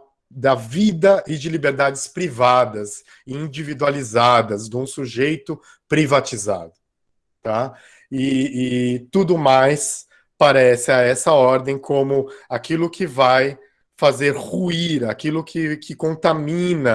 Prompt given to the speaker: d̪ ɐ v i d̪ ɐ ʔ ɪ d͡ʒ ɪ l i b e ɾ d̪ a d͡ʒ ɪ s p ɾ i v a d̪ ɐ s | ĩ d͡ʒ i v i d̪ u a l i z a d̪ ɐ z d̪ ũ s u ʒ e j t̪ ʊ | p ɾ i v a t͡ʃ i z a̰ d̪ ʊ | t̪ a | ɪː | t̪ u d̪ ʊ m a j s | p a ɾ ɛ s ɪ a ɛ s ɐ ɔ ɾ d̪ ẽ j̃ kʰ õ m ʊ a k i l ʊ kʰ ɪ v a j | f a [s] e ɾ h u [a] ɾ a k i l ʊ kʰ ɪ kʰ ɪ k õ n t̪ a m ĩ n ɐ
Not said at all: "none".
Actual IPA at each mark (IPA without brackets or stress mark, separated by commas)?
z, i